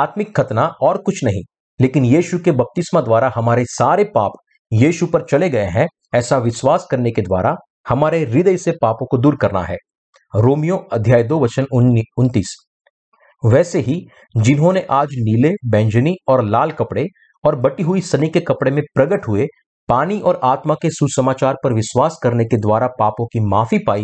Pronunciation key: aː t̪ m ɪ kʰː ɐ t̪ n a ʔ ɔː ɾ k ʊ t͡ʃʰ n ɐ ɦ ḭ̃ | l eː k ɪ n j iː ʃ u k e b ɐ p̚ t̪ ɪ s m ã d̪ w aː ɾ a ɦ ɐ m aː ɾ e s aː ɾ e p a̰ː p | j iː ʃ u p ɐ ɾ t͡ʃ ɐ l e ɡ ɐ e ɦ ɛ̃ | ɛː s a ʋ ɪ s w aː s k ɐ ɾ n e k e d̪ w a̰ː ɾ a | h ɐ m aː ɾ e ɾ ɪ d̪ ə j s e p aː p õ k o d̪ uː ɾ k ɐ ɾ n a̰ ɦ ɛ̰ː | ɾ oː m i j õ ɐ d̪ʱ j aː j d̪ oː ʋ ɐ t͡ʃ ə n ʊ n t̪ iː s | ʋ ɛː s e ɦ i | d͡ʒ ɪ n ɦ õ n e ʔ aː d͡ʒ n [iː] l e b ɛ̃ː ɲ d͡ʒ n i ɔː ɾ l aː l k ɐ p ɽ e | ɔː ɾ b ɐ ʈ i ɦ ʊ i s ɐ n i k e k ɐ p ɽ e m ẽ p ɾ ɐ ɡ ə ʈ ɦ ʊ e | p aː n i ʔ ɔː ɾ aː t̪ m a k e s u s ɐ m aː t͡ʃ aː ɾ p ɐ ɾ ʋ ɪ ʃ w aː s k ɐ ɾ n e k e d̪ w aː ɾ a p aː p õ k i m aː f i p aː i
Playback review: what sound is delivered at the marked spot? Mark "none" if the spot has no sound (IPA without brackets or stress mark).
iː